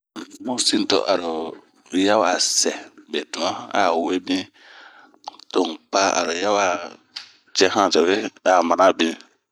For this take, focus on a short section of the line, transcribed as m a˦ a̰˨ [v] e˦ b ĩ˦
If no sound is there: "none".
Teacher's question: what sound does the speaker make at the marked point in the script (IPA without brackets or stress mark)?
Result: w